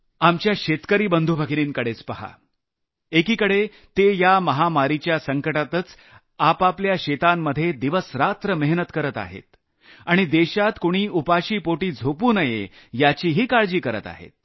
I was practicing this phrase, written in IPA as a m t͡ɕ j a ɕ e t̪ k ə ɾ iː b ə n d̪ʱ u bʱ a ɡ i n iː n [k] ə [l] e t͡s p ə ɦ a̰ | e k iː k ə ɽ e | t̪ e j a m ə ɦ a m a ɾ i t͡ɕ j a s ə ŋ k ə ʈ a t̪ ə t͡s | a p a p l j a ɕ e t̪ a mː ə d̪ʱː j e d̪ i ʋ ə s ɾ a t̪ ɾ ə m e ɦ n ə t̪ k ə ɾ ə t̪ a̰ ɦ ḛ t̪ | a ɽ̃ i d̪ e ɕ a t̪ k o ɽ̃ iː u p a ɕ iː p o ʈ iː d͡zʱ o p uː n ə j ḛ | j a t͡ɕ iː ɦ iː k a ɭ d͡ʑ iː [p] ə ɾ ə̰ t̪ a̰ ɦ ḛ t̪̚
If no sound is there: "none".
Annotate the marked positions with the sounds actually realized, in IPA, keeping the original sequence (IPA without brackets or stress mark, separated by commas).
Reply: k, ɽ, k